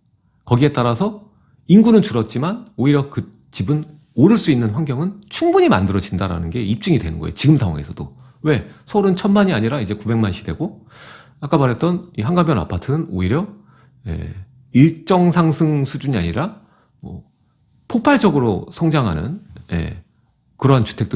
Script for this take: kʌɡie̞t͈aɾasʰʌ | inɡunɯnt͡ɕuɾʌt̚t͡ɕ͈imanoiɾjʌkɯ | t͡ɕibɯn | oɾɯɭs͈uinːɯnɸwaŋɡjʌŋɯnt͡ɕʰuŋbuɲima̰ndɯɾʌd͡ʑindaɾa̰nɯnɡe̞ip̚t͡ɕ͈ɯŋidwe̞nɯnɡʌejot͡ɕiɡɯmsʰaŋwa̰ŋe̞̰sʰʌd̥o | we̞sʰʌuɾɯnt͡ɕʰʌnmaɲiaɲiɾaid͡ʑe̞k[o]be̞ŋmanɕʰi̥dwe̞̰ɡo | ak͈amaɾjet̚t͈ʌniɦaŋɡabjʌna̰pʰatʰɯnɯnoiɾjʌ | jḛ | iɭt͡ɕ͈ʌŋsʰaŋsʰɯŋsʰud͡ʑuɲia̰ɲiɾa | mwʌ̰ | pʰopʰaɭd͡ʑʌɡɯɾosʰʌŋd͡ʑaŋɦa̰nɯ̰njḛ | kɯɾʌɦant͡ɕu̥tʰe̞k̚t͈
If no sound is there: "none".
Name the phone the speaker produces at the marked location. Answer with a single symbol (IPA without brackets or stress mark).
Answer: u